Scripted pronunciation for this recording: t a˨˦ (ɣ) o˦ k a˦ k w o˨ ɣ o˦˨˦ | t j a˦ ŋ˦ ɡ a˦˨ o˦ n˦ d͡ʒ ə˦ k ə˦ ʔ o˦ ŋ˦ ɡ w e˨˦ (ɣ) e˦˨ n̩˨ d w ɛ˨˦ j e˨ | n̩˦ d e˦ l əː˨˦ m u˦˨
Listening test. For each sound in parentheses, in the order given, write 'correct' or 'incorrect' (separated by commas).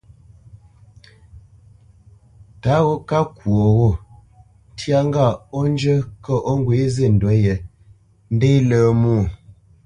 correct, incorrect